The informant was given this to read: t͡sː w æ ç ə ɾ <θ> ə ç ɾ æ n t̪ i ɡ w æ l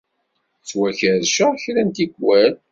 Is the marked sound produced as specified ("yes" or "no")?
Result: no